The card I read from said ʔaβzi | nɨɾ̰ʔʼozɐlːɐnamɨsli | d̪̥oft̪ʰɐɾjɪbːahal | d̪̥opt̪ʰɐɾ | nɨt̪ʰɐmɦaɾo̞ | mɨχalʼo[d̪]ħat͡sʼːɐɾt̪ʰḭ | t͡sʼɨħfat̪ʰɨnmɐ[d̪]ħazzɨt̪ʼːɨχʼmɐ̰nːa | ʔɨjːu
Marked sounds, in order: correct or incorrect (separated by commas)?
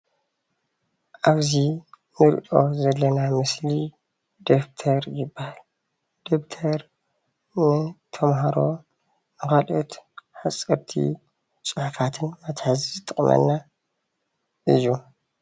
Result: incorrect, incorrect